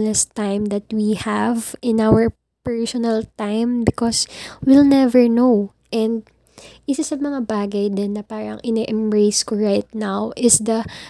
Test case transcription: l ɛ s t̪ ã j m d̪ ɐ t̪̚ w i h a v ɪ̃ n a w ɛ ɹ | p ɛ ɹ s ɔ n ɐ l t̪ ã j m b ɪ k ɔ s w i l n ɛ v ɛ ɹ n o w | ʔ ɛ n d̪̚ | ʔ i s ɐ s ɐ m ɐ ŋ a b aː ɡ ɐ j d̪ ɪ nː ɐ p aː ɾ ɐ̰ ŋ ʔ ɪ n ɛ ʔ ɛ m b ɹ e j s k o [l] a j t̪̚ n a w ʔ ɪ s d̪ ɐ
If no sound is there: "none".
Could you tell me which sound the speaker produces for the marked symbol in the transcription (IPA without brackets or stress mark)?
ɹ